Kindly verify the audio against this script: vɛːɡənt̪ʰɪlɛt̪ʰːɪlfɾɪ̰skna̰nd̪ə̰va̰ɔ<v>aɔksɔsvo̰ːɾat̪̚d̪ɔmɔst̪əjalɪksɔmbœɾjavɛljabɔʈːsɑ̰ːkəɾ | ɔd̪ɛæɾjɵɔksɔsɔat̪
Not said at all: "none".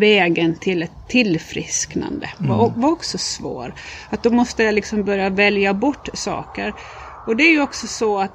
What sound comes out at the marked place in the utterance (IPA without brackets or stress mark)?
v